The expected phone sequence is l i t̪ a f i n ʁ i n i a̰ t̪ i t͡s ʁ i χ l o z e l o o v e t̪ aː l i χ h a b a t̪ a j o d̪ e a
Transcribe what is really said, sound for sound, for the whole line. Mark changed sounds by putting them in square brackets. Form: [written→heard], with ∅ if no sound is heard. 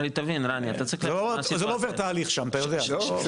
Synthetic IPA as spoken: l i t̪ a [f→v] i n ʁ [i→a] n i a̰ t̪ [i→a] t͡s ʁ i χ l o z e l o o v e t̪ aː l i χ [h→ʃ] a [b→m] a t̪ a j o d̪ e a